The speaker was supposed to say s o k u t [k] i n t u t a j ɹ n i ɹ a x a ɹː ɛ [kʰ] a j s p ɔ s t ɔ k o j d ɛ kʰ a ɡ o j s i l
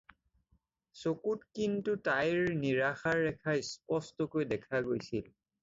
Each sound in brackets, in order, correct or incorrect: correct, correct

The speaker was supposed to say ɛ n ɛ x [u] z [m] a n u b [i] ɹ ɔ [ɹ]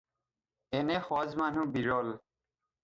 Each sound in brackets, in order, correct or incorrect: incorrect: ɔ, correct, correct, incorrect: l

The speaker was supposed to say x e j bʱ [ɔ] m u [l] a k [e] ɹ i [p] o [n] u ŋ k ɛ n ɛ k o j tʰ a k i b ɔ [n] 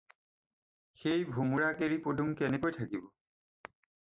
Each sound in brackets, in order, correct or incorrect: incorrect: u, incorrect: ɹ, correct, correct, incorrect: d, incorrect: none

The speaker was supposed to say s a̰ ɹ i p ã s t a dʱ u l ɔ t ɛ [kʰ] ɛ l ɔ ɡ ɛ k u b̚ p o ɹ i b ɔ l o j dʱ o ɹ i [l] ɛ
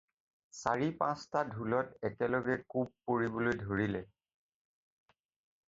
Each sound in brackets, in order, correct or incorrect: incorrect: k, correct

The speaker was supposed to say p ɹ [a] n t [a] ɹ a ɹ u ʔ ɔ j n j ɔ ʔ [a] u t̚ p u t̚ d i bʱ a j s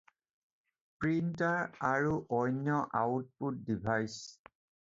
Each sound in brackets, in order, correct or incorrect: incorrect: i, correct, correct

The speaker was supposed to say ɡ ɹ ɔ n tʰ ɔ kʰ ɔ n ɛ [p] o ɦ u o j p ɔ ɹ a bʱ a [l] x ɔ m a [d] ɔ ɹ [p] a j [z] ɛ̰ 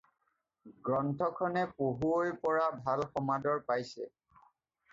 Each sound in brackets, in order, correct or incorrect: correct, correct, correct, correct, incorrect: s

